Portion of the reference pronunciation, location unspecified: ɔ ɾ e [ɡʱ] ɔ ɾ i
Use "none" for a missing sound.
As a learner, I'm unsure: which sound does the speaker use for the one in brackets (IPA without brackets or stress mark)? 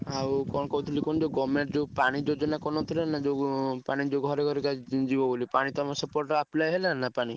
ɡʱ